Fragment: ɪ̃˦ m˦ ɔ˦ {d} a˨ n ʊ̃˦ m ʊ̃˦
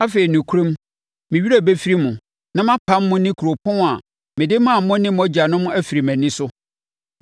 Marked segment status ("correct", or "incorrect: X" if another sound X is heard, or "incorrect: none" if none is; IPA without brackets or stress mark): incorrect: d͡ʑ